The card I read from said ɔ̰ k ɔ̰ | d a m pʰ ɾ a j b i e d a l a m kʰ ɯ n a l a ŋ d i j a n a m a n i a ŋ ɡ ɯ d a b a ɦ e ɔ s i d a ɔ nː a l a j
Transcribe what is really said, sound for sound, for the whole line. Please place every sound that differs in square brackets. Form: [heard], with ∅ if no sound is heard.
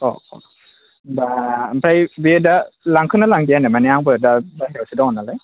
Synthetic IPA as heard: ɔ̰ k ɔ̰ | [b] a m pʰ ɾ a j b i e d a l a [ŋ] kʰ ɯ n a l a ŋ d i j a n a m a n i a ŋ [b] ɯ d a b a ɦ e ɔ s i d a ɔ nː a l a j